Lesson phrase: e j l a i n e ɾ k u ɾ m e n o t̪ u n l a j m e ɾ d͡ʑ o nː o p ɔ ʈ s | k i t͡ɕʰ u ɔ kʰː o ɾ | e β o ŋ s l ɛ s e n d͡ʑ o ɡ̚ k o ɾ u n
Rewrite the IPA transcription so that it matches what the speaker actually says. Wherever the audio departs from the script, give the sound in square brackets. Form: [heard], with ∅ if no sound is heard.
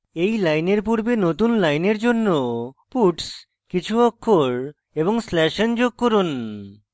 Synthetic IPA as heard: e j l a [j] n e ɾ [p] u ɾ [b] e n o t̪ u n l a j [n] e ɾ d͡ʑ o nː o p [u] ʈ s | k i t͡ɕʰ u ɔ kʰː o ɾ | e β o ŋ s l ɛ [ʃ] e n d͡ʑ o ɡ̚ k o ɾ u n